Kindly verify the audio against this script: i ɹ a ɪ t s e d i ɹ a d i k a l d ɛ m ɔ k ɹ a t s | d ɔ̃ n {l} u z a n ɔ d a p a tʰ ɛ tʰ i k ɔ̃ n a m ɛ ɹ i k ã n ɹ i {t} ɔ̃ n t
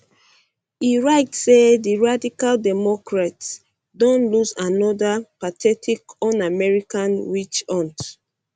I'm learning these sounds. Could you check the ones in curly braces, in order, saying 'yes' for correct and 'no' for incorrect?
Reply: yes, no

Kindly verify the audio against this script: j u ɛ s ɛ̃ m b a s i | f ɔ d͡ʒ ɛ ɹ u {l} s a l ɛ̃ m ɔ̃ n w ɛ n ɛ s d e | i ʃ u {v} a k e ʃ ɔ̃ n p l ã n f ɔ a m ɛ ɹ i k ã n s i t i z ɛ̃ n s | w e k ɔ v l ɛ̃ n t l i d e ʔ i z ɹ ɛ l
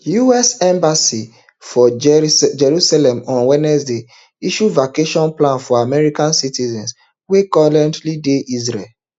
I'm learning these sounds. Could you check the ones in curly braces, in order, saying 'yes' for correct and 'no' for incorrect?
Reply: no, yes

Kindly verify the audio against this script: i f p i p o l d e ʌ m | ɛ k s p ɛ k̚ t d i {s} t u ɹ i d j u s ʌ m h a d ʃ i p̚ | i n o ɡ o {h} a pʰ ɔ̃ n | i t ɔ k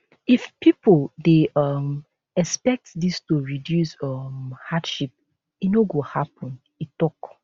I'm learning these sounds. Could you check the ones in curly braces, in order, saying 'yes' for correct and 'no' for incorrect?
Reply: yes, yes

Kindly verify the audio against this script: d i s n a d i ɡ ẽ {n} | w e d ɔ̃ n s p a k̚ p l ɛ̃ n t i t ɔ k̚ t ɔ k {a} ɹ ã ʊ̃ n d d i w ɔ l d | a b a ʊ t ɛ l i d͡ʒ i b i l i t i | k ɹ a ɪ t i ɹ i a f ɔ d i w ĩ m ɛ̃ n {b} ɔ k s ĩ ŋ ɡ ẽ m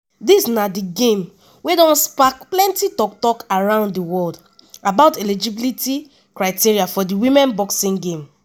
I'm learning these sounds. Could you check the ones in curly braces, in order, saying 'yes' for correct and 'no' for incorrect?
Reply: no, yes, yes

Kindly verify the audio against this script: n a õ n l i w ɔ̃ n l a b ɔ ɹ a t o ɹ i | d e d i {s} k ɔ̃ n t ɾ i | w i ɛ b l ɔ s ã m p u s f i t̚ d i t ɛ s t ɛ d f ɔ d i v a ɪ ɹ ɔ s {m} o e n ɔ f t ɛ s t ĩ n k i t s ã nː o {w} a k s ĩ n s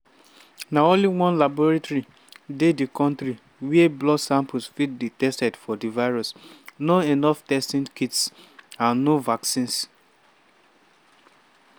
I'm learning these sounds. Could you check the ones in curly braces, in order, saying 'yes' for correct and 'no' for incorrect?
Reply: no, no, no

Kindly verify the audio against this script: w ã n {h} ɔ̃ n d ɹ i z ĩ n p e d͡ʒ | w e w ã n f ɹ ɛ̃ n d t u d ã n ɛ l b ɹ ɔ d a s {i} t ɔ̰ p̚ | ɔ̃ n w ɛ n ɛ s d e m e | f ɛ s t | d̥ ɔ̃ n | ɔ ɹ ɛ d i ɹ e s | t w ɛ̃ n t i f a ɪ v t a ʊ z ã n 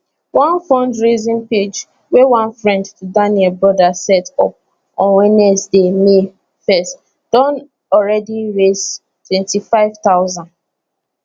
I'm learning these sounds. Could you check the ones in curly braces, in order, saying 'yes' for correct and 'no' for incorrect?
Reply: no, no

